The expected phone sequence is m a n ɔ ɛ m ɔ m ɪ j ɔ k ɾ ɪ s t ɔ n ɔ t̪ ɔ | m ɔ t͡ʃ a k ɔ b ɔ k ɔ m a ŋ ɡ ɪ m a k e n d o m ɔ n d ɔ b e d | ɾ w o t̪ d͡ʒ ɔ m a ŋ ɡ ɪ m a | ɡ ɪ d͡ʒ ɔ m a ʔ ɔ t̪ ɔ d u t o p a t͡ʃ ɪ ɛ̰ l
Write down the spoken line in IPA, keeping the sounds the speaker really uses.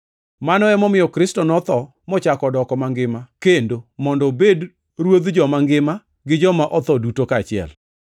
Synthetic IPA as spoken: m a n ɔ ɛ m ɔ m ɪ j ɔ k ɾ ɪ s t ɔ n ɔ t̪ ɔ | m ɔ t͡ʃ a k ɔ d ɔ k ɔ m a ŋ ɡ ɪ m a k e n d o m ɔ n d ɔ b e d | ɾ w o d̪ d͡ʒ ɔ m a ŋ ɡ ɪ m a | ɡ ɪ d͡ʒ ɔ m a ʔ ɔ t̪ ɔ d u t o k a t͡ʃ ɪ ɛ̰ l

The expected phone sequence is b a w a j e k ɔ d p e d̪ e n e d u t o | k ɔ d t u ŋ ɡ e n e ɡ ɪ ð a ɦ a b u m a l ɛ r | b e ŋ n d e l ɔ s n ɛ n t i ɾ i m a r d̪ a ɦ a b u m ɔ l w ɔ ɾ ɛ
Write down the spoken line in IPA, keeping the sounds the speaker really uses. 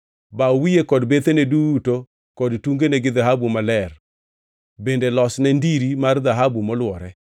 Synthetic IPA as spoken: b a w i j e k ɔ d b e t̪ e n e d u t o | k ɔ d t u ŋ ɡ e n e ɡ ɪ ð a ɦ a b u m a l ɛ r | b e n d e l ɔ s n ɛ n d i ɾ i m a r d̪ a ɦ a b u m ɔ l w ɔ ɾ ɛ

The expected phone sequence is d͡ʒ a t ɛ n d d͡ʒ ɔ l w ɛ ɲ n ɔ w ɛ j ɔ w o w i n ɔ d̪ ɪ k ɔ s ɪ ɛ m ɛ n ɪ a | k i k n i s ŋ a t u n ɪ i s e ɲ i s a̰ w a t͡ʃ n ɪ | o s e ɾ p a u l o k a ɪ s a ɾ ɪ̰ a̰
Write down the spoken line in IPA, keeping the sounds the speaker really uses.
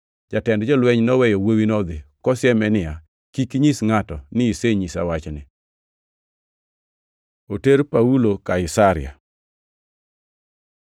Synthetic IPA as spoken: d͡ʒ a t ɛ n d d͡ʒ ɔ l w ɛ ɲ n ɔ w ɛ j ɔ w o w i n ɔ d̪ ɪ k ɔ s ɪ ɛ m ɛ n ɪ a | k i k ɲ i s ŋ a t ɔ n ɪ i s e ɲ i s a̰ w a t͡ʃ n ɪ | o t e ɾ p a u l o k a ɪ s a ɾ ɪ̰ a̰

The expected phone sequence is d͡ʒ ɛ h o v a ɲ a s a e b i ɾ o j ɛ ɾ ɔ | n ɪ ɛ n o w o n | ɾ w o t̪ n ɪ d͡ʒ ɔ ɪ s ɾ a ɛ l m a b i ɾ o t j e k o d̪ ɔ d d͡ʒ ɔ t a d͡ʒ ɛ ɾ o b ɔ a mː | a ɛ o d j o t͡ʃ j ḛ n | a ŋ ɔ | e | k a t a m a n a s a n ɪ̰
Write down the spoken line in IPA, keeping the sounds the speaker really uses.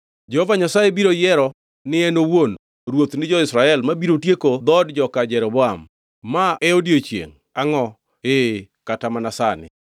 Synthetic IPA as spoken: d͡ʒ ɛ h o v a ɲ a s a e b i ɾ o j ɛ ɾ ɔ | n ɪ ɛ n o w o n | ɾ w o t̪ n ɪ d͡ʒ ɔ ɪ s ɾ a ɛ l m a b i ɾ o t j e k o d̪ ɔ d d͡ʒ ɔ k a d͡ʒ ɛ ɾ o b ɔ a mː | a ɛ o d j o t͡ʃ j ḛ ŋ | a ŋ ɔ | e | k a t a m a n a s a n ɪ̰

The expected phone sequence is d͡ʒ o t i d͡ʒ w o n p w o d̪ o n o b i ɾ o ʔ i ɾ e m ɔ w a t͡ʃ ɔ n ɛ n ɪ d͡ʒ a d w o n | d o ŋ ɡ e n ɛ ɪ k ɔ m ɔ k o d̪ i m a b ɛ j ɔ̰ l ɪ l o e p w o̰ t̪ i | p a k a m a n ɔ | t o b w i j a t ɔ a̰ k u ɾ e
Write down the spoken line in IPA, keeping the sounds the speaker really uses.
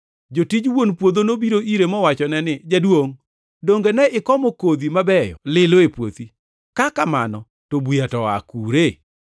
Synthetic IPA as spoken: d͡ʒ o t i d͡ʒ w o n p w o d̪ o n o b i ɾ o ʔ i ɾ e m ɔ w a t͡ʃ ɔ n ɛ n ɪ d͡ʒ a d w o ŋ | d o ŋ ɡ e n ɛ ɪ k ɔ m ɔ k o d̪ i m a b ɛ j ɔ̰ l ɪ l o e p w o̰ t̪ i | k a k a m a n ɔ | t o b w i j a t ɔ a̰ k u ɾ e

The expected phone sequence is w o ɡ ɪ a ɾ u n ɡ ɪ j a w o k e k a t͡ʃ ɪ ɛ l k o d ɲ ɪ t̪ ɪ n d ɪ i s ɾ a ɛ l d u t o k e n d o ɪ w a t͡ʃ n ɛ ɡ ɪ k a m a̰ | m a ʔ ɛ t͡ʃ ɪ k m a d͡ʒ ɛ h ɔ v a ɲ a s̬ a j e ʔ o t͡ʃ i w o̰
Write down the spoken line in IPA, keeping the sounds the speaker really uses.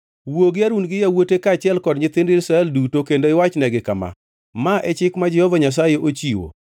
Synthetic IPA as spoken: w o ɡ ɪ a ɾ u n ɡ ɪ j a w o t e k a t͡ʃ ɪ ɛ l k ɔ d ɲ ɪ t̪ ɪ n d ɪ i s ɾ a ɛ l d u t o k e n d o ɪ w a t͡ʃ n ɛ ɡ ɪ k a m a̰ | m a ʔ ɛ t͡ʃ ɪ k m a d͡ʒ ɛ h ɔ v a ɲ a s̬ a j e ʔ o t͡ʃ i w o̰

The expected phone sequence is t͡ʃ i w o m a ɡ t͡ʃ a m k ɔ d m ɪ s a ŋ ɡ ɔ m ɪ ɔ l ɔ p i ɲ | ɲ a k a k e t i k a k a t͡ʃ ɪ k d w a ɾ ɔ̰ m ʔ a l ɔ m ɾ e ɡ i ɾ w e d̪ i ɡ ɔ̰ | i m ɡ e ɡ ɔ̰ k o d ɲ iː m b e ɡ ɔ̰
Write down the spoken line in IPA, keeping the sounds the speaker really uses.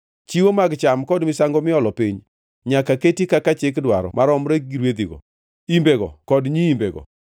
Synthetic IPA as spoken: t͡ʃ i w o m a ɡ t͡ʃ a m k ɔ d m ɪ s a ŋ ɡ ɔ m ɪ ɔ l ɔ p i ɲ | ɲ a k a k e t i k a k a t͡ʃ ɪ k d w a ɾ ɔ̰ m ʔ a ɾ ɔ m ɾ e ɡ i ɾ w e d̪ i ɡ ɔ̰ | i m b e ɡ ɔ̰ k ɔ d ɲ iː m b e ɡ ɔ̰

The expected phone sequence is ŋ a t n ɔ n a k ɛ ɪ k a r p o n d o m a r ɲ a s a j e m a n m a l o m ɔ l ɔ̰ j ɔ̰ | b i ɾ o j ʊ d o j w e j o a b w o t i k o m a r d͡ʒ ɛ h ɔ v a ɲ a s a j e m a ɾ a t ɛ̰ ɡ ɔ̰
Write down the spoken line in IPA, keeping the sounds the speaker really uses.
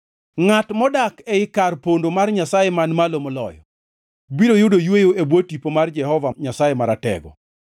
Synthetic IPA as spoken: ŋ a t m ɔ d a k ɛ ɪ k a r p o n d o m a r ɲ a s a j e m a n m a l o m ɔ l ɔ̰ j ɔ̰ | b i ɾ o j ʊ d o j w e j o e b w o t i p o m a r d͡ʒ ɛ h ɔ v a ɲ a s a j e m a ɾ a t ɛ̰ ɡ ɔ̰

